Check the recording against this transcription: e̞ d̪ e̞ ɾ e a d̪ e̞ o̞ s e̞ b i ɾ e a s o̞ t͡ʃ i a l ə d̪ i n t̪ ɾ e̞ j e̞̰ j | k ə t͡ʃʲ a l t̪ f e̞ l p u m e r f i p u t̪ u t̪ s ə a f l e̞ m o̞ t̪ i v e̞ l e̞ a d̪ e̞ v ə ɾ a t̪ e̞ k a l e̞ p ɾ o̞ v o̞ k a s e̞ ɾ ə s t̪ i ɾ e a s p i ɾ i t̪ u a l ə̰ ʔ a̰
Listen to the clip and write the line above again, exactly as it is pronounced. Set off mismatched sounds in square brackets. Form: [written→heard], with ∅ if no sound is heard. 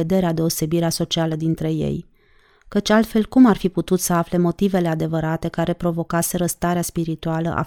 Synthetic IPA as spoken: e̞ d̪ e̞ ɾ e a d̪ e̞ o̞ s e̞ b i ɾ e a s o̞ t͡ʃ i a l ə d̪ i n t̪ ɾ e̞ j e̞̰ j | k ə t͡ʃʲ a l t̪ f e̞ l [p→k] u m [e→a] r f i p u t̪ u t̪ s ə a f l e̞ m o̞ t̪ i v e̞ l e̞ a d̪ e̞ v ə ɾ a t̪ e̞ k a [l→ɾ] e̞ p ɾ o̞ v o̞ k a s e̞ ɾ ə s t̪ [i→a] ɾ e a s p i ɾ i t̪ u a l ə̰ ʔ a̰